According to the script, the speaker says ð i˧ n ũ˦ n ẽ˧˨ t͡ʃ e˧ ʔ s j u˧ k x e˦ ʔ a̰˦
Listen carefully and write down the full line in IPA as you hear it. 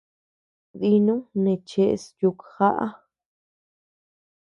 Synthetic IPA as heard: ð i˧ n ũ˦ n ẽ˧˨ t͡ʃ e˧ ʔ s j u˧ k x a˦ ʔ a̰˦

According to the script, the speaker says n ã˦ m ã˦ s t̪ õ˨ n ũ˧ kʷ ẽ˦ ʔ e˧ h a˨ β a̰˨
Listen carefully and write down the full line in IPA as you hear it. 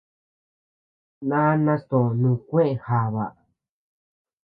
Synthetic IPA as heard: n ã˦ n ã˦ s t̪ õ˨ n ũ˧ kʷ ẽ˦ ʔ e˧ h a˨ β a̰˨

